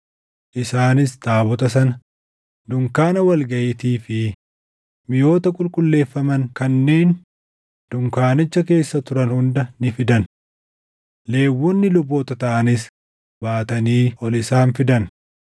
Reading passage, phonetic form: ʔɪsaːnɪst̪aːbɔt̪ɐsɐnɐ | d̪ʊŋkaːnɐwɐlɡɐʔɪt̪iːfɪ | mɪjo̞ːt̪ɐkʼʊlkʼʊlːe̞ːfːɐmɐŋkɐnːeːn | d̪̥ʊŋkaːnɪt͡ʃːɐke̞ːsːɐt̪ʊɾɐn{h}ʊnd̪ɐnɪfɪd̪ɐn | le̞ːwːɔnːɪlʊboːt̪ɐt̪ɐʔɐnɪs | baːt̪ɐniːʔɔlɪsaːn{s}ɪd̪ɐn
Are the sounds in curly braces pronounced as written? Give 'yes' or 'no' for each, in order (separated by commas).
yes, no